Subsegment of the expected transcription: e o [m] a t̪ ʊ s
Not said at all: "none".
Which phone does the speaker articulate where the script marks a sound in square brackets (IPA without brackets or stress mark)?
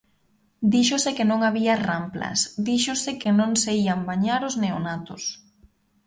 n